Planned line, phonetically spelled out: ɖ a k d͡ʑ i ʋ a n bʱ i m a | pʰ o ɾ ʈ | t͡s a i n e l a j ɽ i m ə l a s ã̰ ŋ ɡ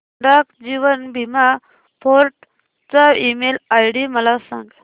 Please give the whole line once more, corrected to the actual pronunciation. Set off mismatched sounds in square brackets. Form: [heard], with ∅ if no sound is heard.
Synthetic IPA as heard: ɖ a k d͡ʑ i ʋ [ə] n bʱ i m a | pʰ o ɾ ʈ | t͡s a i [m] e l a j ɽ i m ə l a s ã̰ ŋ ɡ